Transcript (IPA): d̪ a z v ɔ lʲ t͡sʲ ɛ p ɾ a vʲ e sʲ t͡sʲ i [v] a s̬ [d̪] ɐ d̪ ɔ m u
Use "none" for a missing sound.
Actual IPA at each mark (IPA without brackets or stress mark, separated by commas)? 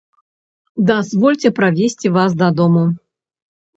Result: v, d̪